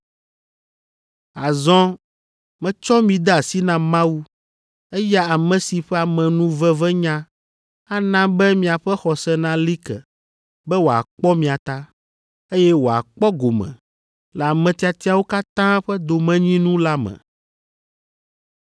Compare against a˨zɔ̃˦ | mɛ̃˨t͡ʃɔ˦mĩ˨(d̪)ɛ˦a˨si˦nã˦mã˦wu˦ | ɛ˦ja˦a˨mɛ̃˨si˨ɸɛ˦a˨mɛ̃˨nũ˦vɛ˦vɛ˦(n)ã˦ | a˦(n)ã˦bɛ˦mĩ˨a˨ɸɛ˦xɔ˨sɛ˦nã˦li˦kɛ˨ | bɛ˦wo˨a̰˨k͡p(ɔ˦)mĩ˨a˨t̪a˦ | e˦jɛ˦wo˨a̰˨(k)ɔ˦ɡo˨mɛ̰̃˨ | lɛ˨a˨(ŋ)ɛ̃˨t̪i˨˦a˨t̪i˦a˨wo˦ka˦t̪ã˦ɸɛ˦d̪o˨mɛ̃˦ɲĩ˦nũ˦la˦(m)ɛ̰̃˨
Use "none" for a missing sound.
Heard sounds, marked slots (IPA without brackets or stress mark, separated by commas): d̪, ɲ, n, ɔ˦, k͡p, m, m